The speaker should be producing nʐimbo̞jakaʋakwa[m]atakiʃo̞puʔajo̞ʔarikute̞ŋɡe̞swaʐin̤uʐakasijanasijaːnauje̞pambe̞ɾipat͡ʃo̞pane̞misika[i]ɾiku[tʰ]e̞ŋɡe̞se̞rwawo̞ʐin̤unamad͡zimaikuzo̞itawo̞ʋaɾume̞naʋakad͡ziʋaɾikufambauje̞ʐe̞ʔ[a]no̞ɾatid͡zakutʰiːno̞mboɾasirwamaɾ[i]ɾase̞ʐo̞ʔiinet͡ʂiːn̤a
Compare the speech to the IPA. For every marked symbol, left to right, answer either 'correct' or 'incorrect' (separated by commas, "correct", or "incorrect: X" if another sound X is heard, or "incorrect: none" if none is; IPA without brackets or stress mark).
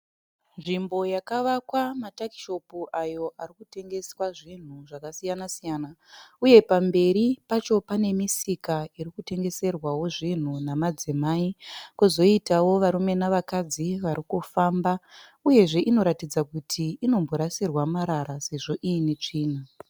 correct, correct, incorrect: t, incorrect: i, incorrect: a